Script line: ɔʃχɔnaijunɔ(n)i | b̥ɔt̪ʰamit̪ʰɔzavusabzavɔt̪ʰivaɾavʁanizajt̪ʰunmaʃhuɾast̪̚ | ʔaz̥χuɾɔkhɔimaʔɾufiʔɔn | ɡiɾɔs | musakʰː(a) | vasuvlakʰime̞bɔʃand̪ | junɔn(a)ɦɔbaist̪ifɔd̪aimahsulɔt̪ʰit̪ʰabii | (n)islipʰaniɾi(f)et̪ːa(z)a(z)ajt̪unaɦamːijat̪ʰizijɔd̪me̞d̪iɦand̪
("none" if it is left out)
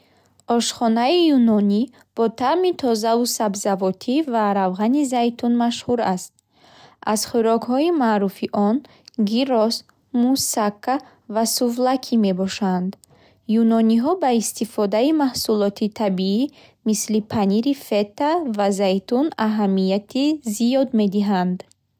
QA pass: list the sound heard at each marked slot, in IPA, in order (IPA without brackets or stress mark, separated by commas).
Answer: n, a, i, m, f, v, z